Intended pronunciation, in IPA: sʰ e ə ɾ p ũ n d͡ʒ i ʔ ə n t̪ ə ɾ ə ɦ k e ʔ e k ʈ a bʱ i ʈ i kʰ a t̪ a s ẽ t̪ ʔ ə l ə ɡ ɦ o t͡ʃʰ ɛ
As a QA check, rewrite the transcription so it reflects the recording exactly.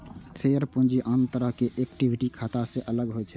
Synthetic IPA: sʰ e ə ɾ p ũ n d͡ʒ i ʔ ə n t̪ ə ɾ ə ɦ k e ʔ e k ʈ i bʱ i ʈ i kʰ a t̪ a s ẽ ʔ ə l ə ɡ ɦ o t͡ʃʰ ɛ